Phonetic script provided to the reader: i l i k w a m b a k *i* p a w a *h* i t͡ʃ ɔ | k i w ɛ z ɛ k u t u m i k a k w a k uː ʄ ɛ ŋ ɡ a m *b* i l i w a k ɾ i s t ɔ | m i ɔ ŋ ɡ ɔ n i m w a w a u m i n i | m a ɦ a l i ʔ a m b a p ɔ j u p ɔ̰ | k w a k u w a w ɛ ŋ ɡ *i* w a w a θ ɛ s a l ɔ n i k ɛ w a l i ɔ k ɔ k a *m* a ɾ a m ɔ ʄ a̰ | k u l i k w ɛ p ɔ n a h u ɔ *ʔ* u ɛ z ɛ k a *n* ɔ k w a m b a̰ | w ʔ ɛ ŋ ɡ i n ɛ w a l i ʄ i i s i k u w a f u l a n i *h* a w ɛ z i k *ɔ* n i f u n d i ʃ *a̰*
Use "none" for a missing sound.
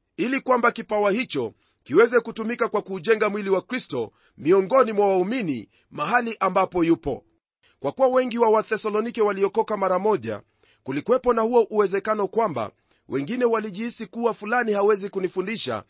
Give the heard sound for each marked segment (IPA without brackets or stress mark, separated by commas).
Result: i, h, w, i, m, ʔ, n, h, u, a̰